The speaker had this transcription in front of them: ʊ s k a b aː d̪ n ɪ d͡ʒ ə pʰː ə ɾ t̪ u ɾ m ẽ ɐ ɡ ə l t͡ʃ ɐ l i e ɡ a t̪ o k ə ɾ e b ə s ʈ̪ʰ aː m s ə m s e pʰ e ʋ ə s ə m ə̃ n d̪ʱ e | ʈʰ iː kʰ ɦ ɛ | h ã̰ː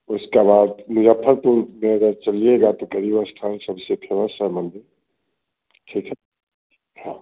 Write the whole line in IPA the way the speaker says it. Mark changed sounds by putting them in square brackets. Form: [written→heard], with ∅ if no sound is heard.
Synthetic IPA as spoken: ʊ s k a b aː d̪ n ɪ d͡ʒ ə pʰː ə ɾ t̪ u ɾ m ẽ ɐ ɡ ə [l→ɾ] t͡ʃ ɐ l i e ɡ a t̪ o k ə ɾ [e→i] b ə s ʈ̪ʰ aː [m→n] s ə [m→b] s e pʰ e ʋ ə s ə m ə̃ n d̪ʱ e | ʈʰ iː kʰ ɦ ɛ | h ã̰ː